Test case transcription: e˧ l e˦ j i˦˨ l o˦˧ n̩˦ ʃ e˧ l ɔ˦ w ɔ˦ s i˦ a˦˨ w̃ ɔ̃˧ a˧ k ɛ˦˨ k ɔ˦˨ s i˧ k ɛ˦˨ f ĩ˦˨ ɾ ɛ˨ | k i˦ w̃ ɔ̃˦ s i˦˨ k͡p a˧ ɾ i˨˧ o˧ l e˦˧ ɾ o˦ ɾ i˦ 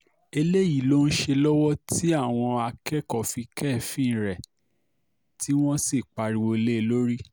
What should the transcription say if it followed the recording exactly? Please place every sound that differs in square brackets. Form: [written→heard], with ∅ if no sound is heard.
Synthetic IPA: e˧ l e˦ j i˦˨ l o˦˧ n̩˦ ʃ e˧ l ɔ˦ w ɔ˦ [s→t] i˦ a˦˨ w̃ ɔ̃˧ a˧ k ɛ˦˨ k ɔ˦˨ [s→f] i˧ k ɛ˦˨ f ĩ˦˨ ɾ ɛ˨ | [k→t] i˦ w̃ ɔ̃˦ s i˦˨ k͡p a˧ ɾ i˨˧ o˧ l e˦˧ [ɾ→l] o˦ ɾ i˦